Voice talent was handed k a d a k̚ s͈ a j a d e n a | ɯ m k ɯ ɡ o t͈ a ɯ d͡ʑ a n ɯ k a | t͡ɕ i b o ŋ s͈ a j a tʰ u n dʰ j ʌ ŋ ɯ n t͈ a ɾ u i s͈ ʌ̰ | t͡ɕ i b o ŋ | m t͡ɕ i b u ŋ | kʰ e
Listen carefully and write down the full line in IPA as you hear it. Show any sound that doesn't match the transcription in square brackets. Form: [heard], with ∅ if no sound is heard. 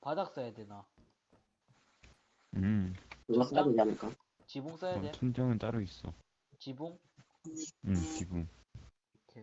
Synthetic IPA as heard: [p] a d a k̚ s͈ a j a d e n a | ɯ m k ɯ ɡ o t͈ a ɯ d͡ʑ a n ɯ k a | t͡ɕ i b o ŋ s͈ a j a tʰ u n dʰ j ʌ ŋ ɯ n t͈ a ɾ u i s͈ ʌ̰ | t͡ɕ i b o ŋ | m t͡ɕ i b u ŋ | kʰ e

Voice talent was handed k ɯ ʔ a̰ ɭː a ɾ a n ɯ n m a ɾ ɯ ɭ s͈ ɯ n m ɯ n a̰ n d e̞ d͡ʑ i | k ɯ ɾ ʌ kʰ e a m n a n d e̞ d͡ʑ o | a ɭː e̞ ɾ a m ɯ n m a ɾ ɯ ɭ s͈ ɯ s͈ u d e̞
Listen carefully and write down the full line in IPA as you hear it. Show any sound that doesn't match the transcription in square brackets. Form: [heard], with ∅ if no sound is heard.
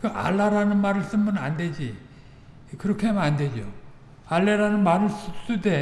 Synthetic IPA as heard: k ɯ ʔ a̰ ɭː a ɾ a n ɯ n m a ɾ ɯ ɭ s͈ ɯ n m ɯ n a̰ n d e̞ d͡ʑ i | k ɯ ɾ ʌ kʰ e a m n a n d e̞ d͡ʑ o | a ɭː e̞ ɾ a [n] ɯ n m a ɾ ɯ ɭ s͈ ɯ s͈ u d e̞

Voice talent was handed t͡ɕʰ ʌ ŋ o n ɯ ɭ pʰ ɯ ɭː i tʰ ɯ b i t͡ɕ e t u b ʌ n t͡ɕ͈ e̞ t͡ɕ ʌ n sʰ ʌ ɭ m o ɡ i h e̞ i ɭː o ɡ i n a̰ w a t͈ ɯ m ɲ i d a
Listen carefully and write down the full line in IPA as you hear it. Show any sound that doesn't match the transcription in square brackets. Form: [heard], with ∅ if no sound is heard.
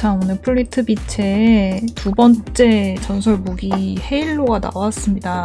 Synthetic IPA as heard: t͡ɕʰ [a] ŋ o n ɯ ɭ pʰ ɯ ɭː i tʰ ɯ b i [t͡ɕʰ] e t u b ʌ n t͡ɕ͈ e̞ t͡ɕ ʌ n sʰ ʌ ɭ m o ɡ i h e̞ i ɭː o ɡ [a] n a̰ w a [s͈] ɯ m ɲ i d a

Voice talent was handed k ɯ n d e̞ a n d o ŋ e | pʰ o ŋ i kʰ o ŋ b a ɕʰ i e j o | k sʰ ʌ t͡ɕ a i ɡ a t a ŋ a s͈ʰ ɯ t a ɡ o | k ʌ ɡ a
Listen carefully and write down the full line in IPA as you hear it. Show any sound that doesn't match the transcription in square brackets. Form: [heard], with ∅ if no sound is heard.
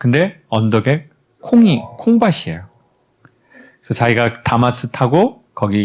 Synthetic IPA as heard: k ɯ n d e̞ [ʌ] n d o [ɡ] e | [kʰ] o ŋ i kʰ o ŋ b a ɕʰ i e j o | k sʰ ʌ t͡ɕ a i ɡ a t a [m] a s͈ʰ ɯ [tʰ] a ɡ o | k ʌ ɡ [i]

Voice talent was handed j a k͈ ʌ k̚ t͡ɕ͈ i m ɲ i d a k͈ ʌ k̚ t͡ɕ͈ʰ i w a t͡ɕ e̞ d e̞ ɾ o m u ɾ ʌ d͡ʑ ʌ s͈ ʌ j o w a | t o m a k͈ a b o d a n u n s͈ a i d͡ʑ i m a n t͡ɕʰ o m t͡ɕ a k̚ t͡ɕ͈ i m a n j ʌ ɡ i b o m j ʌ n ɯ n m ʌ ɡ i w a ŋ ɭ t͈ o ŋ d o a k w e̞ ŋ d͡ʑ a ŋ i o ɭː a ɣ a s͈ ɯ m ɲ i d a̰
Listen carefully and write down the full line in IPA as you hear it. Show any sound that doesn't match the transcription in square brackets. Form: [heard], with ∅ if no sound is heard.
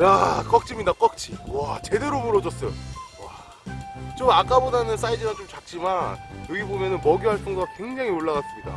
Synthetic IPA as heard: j a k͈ ʌ k̚ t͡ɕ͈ i m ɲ i d a k͈ ʌ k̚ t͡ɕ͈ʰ i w a t͡ɕ e̞ d e̞ ɾ o m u ɾ ʌ d͡ʑ ʌ s͈ ʌ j o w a | [t͡ɕ] o m a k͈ a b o d a n [ɯ] n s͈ a i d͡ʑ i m a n [t͡ɕ] o m t͡ɕ a k̚ t͡ɕ͈ i m a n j ʌ ɡ i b o m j ʌ n ɯ n m ʌ ɡ i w a [∅] ɭ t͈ o ŋ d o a k w e̞ ŋ d͡ʑ a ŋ i o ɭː a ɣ a s͈ ɯ m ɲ i d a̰

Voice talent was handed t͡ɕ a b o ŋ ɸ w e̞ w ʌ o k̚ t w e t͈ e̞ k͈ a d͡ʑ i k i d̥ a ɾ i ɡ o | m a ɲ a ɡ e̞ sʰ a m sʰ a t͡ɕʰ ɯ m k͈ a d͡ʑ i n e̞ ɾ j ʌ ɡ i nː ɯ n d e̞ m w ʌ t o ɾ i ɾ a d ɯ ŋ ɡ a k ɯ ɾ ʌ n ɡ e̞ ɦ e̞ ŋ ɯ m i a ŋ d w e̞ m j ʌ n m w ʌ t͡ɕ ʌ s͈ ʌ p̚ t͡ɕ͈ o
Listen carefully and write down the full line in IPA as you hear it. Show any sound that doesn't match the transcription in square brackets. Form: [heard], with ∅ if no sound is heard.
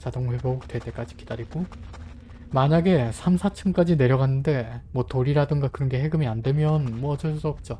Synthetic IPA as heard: t͡ɕ a [d] o ŋ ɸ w e̞ [b] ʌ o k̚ t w e t͈ e̞ k͈ a d͡ʑ i k i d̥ a ɾ i ɡ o | m a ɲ a ɡ e̞ sʰ a m sʰ a t͡ɕʰ ɯ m k͈ a d͡ʑ i n e̞ ɾ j ʌ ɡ [a] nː ɯ n d e̞ m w ʌ t o ɾ i ɾ a d ɯ ŋ ɡ a k ɯ ɾ ʌ n ɡ e̞ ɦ e̞ [ɡ] ɯ m i a [n] d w e̞ m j ʌ n m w ʌ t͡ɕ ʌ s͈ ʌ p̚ t͡ɕ͈ o

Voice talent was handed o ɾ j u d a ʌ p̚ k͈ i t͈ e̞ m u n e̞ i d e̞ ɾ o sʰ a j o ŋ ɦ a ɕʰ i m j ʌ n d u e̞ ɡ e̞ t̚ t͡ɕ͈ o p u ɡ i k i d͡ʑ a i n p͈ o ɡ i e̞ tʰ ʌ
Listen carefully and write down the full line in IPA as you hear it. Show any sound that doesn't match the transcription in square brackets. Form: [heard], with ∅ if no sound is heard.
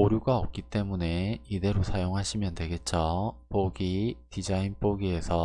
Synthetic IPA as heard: o ɾ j u [ɡ] a ʌ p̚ k͈ i t͈ e̞ m u n e̞ i d e̞ ɾ o sʰ a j o ŋ ɦ a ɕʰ i m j ʌ n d [w] e̞ ɡ e̞ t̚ t͡ɕ͈ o p [o] ɡ i [t] i d͡ʑ a i n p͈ o ɡ i e̞ [sʰ] ʌ

